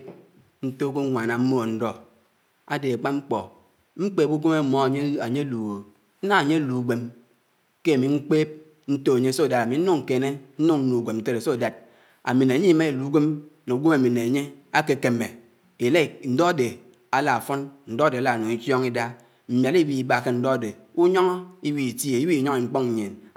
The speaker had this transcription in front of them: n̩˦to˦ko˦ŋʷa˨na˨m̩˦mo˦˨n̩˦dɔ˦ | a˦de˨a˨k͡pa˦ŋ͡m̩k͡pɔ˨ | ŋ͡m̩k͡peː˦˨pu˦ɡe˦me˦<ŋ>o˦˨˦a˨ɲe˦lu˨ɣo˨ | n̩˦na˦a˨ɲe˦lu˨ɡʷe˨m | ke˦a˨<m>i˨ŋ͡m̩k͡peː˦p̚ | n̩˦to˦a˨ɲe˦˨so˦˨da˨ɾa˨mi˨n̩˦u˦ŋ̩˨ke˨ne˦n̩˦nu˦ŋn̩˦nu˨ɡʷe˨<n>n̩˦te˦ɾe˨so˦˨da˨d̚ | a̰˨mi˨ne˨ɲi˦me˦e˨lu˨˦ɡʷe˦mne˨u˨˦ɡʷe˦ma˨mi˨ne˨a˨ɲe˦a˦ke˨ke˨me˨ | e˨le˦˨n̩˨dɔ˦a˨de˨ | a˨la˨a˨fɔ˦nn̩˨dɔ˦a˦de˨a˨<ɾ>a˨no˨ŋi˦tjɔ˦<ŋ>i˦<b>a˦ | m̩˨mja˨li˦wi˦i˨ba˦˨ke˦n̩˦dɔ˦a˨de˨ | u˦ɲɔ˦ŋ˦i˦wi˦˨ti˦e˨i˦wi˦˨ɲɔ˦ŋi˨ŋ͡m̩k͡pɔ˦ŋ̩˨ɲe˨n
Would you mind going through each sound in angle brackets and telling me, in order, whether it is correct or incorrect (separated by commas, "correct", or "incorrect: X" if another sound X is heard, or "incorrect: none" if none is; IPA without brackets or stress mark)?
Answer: incorrect: m, correct, incorrect: m, incorrect: l, correct, incorrect: d